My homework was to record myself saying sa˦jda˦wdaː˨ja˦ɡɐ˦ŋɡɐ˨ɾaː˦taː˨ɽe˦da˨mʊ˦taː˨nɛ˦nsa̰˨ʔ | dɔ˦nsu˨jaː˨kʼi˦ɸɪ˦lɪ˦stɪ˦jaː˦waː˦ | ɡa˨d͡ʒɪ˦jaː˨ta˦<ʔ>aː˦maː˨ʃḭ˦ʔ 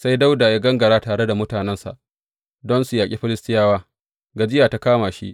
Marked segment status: incorrect: k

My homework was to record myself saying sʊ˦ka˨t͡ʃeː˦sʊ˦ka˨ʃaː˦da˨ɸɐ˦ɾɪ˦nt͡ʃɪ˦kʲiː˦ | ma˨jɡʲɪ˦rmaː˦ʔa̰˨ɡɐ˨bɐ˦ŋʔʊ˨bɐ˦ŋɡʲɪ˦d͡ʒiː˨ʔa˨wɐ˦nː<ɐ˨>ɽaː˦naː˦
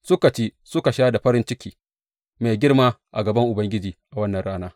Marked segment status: correct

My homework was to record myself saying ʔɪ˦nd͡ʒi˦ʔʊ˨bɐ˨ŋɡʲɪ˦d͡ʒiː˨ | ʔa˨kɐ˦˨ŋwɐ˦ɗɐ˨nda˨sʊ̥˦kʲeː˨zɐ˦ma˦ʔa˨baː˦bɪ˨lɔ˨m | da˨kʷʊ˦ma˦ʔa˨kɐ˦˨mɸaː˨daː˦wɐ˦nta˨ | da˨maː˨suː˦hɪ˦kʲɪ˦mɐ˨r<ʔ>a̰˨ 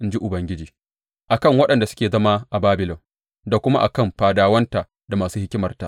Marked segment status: incorrect: t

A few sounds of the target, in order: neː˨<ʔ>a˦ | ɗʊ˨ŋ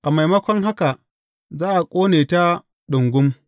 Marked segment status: incorrect: t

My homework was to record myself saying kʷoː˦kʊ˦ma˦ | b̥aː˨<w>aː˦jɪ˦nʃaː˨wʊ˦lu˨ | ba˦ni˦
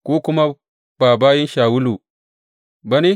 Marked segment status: incorrect: b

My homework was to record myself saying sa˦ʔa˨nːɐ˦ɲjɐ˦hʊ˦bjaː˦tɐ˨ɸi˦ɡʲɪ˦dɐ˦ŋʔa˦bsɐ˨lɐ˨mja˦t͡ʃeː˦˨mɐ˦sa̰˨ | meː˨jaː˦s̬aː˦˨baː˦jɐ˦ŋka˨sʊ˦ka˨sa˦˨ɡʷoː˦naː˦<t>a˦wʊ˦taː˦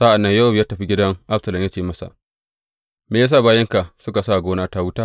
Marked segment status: correct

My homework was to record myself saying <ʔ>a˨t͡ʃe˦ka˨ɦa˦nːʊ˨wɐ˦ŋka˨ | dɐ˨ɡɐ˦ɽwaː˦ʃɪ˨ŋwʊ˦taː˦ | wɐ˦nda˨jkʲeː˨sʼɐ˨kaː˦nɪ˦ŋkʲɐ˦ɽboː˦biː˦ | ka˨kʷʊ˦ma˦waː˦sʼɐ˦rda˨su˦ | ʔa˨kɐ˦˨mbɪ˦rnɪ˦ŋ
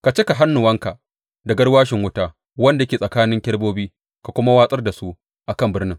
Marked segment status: incorrect: k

